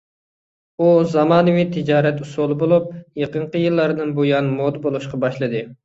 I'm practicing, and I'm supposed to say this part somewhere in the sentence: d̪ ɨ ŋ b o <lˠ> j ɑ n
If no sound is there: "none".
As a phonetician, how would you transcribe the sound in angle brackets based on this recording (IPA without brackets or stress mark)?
none